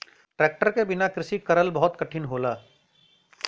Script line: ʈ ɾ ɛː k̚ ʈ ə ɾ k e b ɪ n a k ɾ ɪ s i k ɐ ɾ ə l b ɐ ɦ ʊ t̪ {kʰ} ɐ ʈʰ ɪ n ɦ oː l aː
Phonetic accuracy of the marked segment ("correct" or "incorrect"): incorrect